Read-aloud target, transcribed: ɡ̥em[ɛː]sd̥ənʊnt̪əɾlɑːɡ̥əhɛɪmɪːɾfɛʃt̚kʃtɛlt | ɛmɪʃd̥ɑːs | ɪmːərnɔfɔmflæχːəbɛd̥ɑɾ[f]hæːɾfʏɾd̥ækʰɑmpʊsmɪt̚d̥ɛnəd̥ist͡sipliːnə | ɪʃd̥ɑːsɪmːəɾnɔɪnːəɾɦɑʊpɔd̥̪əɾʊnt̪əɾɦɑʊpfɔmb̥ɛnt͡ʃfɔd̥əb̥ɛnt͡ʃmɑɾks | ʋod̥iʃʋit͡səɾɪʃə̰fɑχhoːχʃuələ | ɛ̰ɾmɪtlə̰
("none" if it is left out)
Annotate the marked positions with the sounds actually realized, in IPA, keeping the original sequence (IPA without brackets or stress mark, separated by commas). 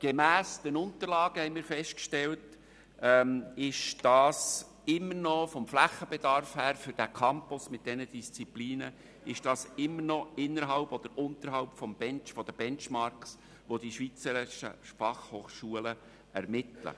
æː, f